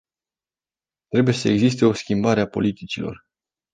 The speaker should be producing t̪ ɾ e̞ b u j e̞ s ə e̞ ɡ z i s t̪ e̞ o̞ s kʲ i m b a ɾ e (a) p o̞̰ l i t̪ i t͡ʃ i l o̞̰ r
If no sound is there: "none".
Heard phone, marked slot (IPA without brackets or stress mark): a